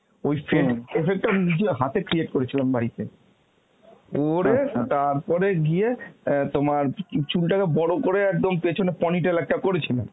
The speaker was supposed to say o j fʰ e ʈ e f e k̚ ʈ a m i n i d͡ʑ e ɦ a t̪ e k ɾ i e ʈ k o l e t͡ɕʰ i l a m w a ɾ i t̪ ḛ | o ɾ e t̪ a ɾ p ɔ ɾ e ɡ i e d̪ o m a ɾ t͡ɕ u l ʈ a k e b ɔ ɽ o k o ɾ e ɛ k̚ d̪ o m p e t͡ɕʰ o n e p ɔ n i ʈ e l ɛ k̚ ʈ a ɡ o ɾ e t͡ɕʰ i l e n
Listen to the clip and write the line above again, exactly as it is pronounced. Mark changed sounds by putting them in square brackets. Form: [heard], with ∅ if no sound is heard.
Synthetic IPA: o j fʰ e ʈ e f e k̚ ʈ a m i n i d͡ʑ e ɦ a t̪ e k ɾ i e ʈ k o [ɾ] e t͡ɕʰ i l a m [b] a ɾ i t̪ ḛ | o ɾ e t̪ a ɾ p ɔ ɾ e ɡ i e [t̪] o m a ɾ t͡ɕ u l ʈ a k e b ɔ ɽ o k o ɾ e ɛ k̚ d̪ o m p e t͡ɕʰ o n e p ɔ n i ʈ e l ɛ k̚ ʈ a [k] o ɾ e t͡ɕʰ i l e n